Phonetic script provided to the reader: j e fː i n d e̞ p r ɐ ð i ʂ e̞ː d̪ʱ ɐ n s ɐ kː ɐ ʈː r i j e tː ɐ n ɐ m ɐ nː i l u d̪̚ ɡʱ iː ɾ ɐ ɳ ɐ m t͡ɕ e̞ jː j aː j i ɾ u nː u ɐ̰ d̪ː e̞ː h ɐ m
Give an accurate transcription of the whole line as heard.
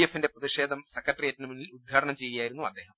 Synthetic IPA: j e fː i n d e̞ p r ɐ ð i ʂ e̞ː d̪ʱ ɐ m s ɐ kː ɐ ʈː r i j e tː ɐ n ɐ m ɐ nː i l u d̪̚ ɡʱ aː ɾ ɐ ɳ ɐ m t͡ɕ e̞ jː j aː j i ɾ u nː u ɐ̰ d̪ː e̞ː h ɐ m